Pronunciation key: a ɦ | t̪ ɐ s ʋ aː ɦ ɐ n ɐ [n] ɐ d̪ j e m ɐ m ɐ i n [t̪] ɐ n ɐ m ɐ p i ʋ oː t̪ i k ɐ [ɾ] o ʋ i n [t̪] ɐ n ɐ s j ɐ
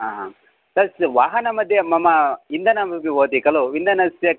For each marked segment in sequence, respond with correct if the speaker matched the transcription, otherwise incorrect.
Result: incorrect, incorrect, incorrect, incorrect

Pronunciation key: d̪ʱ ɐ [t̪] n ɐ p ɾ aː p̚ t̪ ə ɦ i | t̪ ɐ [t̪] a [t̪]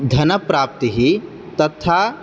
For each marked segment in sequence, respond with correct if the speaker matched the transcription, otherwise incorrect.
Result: incorrect, incorrect, incorrect

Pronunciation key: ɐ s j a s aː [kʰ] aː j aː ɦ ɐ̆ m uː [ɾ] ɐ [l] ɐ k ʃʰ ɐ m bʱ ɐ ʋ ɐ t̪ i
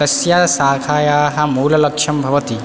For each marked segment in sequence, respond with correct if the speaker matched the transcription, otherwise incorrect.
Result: correct, incorrect, correct

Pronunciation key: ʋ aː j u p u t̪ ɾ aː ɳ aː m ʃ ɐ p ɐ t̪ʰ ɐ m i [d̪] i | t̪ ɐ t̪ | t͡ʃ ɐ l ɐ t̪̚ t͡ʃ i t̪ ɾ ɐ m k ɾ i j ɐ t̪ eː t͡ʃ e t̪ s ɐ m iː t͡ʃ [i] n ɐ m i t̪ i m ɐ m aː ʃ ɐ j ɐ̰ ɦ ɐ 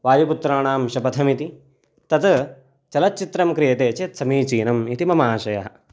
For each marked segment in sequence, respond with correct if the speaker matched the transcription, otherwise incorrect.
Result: incorrect, incorrect

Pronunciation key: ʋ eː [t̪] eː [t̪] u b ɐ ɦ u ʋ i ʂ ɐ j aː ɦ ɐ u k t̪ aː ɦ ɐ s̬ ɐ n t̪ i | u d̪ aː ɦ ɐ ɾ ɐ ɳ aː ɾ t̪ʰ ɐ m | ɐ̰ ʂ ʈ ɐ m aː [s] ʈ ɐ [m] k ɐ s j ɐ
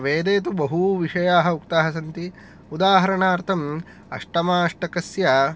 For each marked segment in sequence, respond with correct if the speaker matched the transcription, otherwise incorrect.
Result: incorrect, correct, incorrect, incorrect

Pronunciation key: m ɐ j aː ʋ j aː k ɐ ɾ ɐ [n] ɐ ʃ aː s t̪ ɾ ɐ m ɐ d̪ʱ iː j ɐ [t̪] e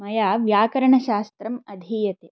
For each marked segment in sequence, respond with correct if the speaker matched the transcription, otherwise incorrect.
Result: incorrect, correct

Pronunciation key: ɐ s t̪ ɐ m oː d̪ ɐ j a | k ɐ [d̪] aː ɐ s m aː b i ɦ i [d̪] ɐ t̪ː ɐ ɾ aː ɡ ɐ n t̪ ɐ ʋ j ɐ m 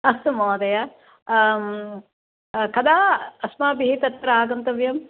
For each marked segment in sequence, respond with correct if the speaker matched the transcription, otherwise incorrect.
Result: correct, incorrect

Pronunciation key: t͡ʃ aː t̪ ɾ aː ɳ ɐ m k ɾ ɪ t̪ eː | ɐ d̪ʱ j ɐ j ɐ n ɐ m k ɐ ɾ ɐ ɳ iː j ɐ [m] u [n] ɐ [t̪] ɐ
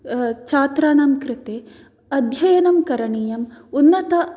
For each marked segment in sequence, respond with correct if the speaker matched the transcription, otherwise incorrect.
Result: correct, incorrect, correct

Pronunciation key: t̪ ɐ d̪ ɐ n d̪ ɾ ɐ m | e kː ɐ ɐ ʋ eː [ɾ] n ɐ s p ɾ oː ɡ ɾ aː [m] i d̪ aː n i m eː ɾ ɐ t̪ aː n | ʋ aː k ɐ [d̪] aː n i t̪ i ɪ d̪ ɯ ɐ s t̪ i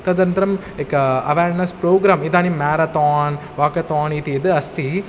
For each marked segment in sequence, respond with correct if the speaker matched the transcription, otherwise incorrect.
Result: correct, correct, incorrect

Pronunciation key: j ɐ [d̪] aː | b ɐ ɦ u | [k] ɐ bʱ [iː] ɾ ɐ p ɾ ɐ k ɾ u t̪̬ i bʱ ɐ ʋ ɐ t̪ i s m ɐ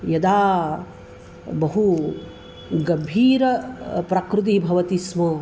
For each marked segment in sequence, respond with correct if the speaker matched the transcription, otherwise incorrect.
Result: correct, incorrect, correct

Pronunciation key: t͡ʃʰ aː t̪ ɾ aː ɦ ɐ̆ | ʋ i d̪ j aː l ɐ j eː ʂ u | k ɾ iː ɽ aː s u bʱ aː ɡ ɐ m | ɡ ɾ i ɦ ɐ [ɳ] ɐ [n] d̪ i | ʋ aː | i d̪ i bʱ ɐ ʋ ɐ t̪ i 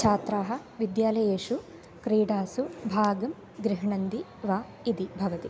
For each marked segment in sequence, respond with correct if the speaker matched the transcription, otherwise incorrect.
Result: correct, correct

